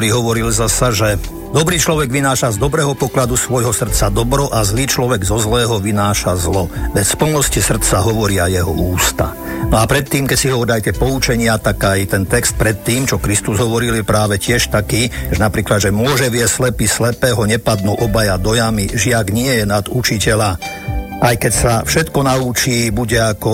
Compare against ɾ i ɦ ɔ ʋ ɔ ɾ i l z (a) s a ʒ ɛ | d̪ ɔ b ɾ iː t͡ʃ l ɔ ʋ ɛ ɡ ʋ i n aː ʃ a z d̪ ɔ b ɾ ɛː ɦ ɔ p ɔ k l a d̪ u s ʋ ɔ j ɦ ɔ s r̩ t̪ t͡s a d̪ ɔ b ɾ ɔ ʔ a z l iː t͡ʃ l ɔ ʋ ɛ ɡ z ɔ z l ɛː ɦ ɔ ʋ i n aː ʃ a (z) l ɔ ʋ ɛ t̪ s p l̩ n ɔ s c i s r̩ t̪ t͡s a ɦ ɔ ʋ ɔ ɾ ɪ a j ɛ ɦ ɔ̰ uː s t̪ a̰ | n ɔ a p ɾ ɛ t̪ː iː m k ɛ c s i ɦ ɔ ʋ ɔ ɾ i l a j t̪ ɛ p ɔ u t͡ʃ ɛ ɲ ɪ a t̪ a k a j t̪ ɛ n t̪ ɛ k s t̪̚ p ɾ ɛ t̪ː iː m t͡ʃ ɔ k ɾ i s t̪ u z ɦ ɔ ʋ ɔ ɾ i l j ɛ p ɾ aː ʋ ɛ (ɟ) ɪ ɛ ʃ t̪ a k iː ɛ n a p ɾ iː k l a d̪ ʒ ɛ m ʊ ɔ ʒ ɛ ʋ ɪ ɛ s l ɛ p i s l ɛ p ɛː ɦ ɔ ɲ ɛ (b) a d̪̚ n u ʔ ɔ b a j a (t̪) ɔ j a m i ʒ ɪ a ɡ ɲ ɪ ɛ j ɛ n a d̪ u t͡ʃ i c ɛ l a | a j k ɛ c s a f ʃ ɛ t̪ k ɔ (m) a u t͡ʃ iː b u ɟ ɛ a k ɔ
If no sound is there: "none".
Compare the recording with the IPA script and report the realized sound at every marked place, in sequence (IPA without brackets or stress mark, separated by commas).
a, z, c, p, d̪, n